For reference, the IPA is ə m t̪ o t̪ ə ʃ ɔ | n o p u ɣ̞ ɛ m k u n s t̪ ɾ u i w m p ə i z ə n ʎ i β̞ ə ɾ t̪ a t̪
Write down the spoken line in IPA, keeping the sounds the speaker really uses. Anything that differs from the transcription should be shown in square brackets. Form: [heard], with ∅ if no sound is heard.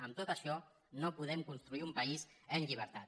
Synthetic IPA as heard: ə m t̪ o t̪ ə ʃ ɔ | n o p u [ð̞] ɛ m k u n s t̪ ɾ u i [u] m p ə i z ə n ʎ i β̞ ə ɾ t̪ a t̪